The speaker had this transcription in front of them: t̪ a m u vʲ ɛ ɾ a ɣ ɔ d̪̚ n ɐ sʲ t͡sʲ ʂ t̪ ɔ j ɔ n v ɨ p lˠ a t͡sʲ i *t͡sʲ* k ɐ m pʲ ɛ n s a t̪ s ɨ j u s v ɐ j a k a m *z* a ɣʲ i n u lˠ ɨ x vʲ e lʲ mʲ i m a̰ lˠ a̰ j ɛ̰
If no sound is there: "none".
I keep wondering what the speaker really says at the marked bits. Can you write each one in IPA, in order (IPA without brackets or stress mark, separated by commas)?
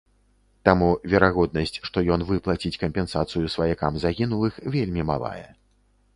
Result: t͡sʲ, z